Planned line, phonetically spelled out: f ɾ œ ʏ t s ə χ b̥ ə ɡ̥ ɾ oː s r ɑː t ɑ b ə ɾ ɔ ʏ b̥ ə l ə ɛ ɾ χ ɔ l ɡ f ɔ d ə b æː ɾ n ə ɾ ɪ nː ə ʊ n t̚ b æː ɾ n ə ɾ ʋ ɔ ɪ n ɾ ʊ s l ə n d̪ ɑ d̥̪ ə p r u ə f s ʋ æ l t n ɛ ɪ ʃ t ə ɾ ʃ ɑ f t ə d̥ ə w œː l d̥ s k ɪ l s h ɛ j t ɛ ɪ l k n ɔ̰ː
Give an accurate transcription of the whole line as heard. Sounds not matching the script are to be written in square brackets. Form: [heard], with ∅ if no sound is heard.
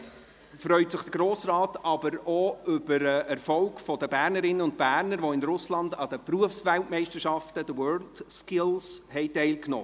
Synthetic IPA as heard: f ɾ œ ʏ t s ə χ [d̥] ə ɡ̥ ɾ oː s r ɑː t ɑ b ə ɾ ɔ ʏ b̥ ə [ɾ] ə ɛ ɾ [f] ɔ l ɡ f ɔ d ə b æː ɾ n ə ɾ ɪ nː ə ʊ n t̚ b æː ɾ n ə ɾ ʋ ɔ ɪ n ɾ ʊ s l [ɑ] n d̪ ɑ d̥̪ ə p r u ə f s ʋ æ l t [m] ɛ ɪ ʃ t ə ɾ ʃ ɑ f t ə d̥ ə w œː l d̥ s k ɪ l s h ɛ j t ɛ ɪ l k n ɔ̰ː